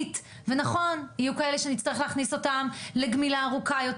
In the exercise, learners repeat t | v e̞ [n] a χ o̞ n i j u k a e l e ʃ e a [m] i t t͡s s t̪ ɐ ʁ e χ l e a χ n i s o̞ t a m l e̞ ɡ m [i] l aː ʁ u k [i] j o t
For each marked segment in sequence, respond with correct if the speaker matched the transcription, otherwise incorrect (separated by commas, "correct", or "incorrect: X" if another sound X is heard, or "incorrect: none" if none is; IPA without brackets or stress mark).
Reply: correct, incorrect: n, correct, incorrect: a